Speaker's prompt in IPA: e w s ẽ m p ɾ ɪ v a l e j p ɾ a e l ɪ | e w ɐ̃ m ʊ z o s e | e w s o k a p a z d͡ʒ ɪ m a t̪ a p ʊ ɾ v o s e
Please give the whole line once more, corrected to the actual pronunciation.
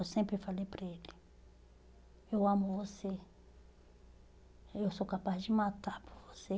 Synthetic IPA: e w s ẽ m p ɾ ɪ f a l e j p ɾ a e l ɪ | e w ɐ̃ m ʊ v o s e | e w s o k a p a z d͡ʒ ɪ m a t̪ a p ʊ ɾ v o s e

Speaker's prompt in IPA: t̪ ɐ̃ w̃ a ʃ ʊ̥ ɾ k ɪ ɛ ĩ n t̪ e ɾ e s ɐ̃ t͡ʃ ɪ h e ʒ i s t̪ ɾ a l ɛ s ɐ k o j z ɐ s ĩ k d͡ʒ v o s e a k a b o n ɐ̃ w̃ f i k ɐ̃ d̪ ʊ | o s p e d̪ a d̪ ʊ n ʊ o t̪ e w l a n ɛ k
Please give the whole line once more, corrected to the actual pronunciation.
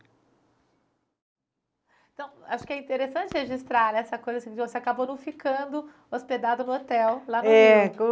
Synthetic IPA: t̪ ɐ̃ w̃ a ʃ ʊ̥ k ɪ ɛ ĩ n t̪ e ɾ e s ɐ̃ t͡ʃ ɪ h e ʒ i s t̪ ɾ a ɾ ɛ s ɐ k o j z ɐ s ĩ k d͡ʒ v o s e a k a b o n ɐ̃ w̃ f i k ɐ̃ d̪ ʊ | o s p e d̪ a d̪ ʊ n ʊ o t̪ ɛ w l a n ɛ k

